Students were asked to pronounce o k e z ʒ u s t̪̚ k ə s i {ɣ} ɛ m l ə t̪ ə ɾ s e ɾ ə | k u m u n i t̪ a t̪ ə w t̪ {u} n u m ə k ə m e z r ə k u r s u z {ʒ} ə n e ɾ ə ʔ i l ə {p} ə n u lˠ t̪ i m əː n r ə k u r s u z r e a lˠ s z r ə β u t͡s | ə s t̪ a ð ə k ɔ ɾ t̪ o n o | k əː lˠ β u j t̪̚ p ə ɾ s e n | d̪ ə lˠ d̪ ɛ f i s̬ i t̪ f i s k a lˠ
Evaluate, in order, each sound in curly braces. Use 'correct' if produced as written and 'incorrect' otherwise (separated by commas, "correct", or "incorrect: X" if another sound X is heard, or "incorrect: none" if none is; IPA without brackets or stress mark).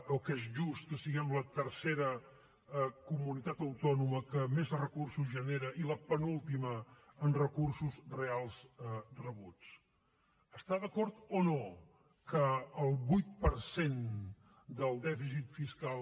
correct, incorrect: ɔ, correct, correct